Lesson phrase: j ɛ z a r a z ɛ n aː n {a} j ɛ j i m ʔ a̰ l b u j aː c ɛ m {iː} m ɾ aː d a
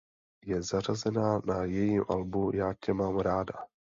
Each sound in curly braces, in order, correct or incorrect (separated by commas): correct, incorrect